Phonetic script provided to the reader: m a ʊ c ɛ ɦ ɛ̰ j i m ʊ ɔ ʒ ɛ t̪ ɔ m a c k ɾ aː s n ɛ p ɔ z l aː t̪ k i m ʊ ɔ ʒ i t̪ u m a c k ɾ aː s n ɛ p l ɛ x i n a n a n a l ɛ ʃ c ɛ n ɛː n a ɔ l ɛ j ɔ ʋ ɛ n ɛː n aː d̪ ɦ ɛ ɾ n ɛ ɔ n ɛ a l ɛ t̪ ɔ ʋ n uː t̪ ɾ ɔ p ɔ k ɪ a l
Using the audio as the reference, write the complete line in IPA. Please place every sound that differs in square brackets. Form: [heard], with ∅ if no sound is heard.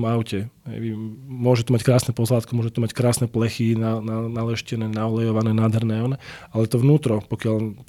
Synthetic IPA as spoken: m a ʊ c ɛ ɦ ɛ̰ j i m ʊ ɔ ʒ ɛ t̪ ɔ m a c k ɾ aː s n ɛ p ɔ z l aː t̪ k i m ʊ ɔ ʒ [ɛ] t̪ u m a c k ɾ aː s n ɛ p l ɛ x i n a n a n a l ɛ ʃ c ɛ n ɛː n a ɔ l ɛ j ɔ ʋ [a] n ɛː n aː d̪ ɦ ɛ ɾ n ɛ ɔ n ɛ a l ɛ t̪ ɔ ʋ n uː t̪ ɾ ɔ p ɔ k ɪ a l